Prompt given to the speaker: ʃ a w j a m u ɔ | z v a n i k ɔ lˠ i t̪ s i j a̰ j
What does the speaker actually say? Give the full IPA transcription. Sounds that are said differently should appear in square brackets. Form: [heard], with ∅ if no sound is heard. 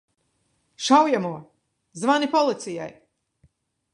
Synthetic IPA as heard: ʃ a w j a m u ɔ | z v a n i [p] ɔ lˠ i t̪ s i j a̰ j